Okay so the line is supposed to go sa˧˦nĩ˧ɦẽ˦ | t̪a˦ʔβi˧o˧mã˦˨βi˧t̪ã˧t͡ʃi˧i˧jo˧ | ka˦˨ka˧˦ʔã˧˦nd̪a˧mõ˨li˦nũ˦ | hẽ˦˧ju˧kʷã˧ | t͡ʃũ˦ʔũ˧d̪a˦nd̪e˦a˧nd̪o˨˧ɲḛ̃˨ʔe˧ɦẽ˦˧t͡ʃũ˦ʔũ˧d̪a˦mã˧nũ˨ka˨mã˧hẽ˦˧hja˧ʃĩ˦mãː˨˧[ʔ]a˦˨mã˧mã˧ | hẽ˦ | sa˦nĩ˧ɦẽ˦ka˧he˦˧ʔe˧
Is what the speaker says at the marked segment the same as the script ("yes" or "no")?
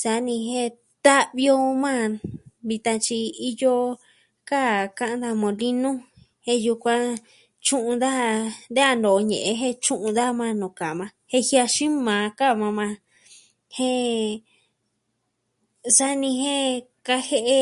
no